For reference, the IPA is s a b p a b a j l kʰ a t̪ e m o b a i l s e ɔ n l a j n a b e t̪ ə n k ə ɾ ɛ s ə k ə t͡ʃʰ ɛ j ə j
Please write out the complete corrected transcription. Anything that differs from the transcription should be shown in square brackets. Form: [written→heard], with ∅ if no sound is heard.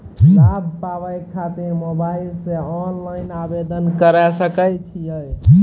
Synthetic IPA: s a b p a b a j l kʰ a t̪ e m o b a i l s e ɔ n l a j n a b e [t̪→d̪] ə n k ə ɾ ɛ s ə k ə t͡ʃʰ [ɛ→i] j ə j